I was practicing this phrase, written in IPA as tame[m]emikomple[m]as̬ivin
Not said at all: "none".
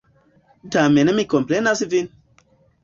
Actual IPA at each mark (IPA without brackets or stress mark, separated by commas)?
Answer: n, n